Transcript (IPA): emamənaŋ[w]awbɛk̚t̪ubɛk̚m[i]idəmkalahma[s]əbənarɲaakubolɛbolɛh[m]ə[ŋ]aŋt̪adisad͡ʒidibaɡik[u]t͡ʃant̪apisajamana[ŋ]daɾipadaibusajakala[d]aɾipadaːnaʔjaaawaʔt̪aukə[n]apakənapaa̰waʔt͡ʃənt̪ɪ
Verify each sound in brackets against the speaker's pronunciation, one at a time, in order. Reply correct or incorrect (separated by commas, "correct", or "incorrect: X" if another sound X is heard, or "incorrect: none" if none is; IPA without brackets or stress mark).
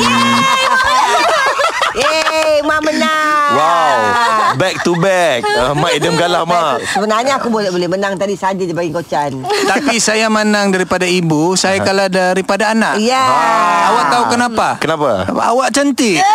correct, incorrect: a, correct, correct, incorrect: n, incorrect: o, correct, correct, correct